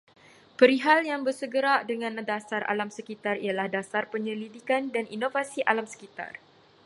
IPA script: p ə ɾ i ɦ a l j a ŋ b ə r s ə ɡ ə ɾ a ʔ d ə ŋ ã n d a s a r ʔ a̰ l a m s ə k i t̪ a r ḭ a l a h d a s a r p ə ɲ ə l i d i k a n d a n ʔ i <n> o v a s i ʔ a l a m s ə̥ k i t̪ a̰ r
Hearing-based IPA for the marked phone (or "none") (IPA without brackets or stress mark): n